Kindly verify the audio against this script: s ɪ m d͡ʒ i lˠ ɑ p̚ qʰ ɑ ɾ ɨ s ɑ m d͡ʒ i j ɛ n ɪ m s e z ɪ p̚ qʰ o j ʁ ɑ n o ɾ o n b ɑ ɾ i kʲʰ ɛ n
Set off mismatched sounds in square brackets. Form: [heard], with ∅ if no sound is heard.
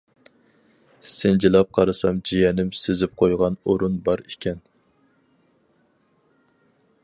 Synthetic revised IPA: s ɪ [n] d͡ʒ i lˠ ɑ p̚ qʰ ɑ ɾ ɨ s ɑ m d͡ʒ i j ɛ n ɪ m s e z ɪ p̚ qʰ o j ʁ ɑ n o ɾ [u] n b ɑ ɾ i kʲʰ ɛ n